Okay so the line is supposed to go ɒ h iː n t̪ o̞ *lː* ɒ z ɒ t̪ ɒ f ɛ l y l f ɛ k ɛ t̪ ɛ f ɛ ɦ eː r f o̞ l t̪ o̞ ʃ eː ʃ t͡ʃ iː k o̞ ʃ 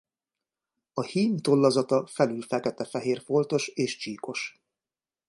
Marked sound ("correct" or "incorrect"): correct